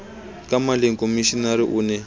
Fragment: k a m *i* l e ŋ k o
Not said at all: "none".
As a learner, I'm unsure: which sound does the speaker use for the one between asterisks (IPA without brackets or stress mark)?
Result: a